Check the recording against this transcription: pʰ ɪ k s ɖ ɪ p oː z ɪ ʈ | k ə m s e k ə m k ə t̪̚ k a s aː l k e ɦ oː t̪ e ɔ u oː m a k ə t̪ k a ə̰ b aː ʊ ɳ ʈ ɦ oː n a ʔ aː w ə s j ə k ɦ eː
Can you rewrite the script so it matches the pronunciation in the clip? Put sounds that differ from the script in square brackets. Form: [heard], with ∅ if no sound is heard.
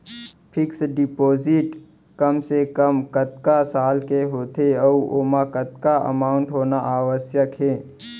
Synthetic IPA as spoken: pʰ ɪ k s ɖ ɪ p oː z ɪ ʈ | k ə m s e k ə m k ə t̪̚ k a s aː l k e ɦ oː t̪ e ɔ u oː m a k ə t̪ k a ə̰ [m] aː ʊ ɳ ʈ ɦ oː n a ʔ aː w ə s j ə k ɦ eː

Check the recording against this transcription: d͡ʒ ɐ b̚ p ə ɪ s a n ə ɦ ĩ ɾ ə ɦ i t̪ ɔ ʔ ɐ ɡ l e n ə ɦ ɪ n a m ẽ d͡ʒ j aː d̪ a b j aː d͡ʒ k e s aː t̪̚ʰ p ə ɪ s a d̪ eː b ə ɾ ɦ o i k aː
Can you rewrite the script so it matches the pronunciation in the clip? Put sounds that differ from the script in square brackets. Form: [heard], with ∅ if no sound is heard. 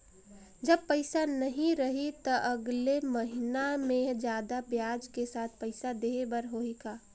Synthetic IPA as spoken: d͡ʒ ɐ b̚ p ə ɪ s a n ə ɦ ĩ ɾ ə ɦ i t̪ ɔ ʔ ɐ ɡ l e [m] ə ɦ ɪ n a m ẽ d͡ʒ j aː d̪ a b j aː d͡ʒ k e s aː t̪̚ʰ p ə ɪ s a d̪ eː b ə ɾ ɦ o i k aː

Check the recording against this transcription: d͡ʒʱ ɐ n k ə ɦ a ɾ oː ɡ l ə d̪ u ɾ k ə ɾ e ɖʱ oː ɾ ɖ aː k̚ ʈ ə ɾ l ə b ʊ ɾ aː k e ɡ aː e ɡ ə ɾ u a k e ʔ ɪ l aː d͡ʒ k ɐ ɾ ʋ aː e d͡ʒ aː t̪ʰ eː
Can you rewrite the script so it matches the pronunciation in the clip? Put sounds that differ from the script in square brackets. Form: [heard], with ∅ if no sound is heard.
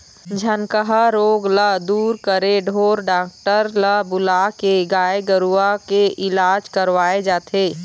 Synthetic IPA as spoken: d͡ʒʱ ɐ n k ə ɦ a ɾ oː ɡ l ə d̪ [uː] ɾ k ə ɾ e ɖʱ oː ɾ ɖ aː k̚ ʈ ə ɾ l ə b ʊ [l] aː k e ɡ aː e ɡ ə ɾ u a k e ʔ ɪ l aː d͡ʒ k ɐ ɾ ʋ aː e d͡ʒ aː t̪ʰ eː

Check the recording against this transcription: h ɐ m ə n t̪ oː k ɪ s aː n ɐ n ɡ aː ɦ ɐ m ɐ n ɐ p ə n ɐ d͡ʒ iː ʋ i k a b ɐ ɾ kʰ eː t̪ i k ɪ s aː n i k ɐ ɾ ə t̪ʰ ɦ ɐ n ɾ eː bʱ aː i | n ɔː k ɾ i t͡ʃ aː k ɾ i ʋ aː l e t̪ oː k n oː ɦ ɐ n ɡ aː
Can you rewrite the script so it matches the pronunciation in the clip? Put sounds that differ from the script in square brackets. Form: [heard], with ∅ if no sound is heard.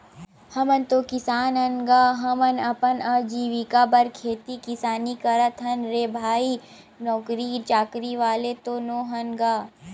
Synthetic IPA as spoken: h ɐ m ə n t̪ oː k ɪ s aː n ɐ n ɡ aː ɦ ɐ m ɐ n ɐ p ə n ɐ d͡ʒ iː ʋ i k a b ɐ ɾ kʰ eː t̪ i k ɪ s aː n i k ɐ ɾ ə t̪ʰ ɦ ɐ n ɾ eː bʱ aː i | n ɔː k ɾ i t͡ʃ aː k ɾ i ʋ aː l e t̪ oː [∅] n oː ɦ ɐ n ɡ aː

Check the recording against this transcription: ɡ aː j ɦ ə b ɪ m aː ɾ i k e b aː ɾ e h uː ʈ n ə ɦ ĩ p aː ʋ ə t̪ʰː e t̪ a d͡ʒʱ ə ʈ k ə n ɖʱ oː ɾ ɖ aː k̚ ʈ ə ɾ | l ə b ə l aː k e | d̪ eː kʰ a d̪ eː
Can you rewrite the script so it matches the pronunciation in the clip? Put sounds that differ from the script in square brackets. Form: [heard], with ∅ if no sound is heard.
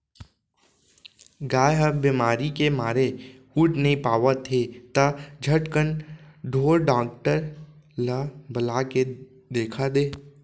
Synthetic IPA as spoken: ɡ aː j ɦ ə b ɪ m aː ɾ i k e [m] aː ɾ e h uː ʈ n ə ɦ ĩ p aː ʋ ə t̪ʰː e t̪ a d͡ʒʱ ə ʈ k ə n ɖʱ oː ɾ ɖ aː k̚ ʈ ə ɾ | l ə b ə l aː k e | d̪ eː kʰ a d̪ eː

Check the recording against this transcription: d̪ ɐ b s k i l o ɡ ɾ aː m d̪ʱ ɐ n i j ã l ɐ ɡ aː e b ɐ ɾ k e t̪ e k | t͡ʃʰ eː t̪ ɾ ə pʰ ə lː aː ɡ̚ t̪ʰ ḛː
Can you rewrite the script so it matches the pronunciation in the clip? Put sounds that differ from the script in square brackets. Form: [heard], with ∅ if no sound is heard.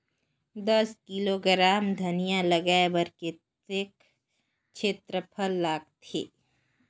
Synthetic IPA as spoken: d̪ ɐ [∅] s k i l o ɡ ɾ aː m d̪ʱ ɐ n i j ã l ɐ ɡ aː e b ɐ ɾ k e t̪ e k | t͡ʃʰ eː t̪ ɾ ə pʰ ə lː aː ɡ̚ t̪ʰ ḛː

